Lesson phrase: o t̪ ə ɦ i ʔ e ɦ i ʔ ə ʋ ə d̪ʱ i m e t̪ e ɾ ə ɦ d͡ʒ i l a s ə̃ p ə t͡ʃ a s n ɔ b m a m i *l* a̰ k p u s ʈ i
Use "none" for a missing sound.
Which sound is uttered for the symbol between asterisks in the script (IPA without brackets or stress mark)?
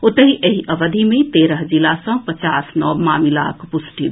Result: l